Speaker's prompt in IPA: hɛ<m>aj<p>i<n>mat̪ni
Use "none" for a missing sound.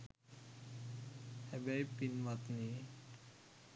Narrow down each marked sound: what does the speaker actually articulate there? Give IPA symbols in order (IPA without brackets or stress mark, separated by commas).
b, p, n